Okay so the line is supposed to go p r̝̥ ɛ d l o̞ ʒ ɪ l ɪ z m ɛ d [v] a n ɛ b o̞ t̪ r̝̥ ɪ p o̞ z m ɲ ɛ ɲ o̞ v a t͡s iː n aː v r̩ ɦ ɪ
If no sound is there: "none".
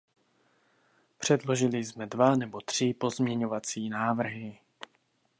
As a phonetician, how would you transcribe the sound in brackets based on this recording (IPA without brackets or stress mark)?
v